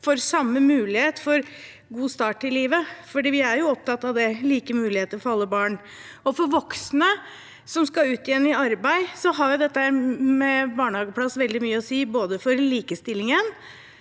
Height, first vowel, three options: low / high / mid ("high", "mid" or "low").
mid